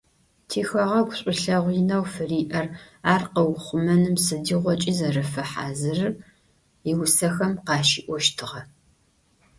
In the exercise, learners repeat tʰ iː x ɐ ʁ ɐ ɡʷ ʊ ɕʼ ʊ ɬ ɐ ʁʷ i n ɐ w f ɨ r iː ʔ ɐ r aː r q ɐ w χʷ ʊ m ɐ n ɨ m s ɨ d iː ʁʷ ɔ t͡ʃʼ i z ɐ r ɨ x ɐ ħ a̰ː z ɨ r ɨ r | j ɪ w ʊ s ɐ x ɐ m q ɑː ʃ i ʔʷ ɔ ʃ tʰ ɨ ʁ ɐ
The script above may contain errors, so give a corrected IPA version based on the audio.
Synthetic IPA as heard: tʰ iː x ɐ ʁ ɐ ɡʷ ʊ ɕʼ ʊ ɬ ɐ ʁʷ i n ɐ w f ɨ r iː ʔ ɐ r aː r q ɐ w χʷ ʊ m ɐ n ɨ m s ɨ d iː ʁʷ ɔ t͡ʃʼ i z ɐ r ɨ f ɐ ħ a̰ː z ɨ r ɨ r | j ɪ w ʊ s ɐ x ɐ m q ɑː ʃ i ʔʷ ɔ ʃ tʰ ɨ ʁ ɐ